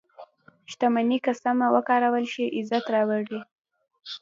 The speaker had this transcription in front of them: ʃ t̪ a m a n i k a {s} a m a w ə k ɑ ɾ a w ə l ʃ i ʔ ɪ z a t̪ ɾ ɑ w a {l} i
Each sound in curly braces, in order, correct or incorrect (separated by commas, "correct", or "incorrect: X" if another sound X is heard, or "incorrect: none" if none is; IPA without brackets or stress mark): correct, incorrect: ɽ